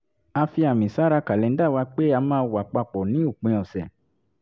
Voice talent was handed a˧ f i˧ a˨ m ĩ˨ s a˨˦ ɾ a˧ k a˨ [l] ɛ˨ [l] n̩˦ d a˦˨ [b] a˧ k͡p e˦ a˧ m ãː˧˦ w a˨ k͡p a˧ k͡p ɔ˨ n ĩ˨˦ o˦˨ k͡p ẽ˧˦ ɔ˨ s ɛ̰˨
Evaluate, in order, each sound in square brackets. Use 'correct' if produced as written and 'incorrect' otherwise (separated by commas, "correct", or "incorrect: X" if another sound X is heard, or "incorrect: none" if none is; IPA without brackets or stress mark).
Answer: correct, incorrect: none, incorrect: w